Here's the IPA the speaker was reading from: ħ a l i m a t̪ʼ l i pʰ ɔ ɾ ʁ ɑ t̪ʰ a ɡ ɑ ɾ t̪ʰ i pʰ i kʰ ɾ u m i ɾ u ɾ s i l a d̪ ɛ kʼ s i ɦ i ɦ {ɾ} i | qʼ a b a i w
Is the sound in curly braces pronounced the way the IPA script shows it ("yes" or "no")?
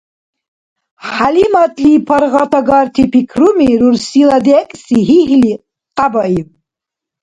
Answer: no